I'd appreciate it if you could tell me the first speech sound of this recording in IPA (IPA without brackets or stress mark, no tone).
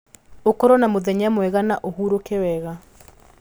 o